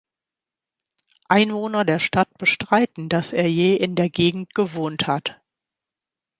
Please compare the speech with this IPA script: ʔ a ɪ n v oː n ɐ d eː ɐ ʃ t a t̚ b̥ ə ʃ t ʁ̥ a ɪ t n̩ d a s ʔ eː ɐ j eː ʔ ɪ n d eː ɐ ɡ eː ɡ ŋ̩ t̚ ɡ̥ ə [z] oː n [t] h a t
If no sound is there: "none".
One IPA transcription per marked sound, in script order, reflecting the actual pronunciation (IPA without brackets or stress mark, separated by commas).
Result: v, t